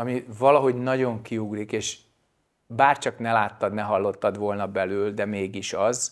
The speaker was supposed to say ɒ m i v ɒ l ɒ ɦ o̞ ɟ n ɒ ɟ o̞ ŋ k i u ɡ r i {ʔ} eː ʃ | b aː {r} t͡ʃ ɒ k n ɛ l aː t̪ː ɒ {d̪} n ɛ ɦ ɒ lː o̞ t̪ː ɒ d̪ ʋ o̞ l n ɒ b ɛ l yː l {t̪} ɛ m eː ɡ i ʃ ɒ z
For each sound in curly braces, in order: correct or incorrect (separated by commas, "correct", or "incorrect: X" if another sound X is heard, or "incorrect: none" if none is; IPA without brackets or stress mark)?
incorrect: k, correct, correct, incorrect: d̪